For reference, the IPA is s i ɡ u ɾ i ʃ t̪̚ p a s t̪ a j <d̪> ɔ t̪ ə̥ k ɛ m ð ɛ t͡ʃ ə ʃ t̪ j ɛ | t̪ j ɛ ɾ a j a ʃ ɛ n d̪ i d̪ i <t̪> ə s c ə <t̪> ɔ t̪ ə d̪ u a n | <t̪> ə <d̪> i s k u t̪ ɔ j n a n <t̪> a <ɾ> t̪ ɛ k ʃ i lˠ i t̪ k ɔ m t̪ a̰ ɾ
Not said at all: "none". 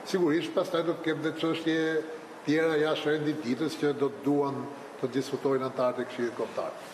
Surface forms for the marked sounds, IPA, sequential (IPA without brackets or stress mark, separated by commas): d̪, t̪, d̪, t̪, d̪, t̪, ɾ